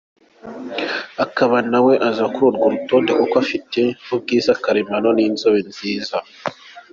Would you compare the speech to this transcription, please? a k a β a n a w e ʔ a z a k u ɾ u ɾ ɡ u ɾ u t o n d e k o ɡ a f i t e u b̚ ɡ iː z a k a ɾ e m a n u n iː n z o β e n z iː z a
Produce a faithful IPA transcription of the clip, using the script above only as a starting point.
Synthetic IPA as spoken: a k a β a n a w e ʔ a z a k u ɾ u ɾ ɡ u ɾ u t o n d e k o k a f i t e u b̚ ɡ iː z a k a ɾ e m a n o n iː n z o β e n z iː z a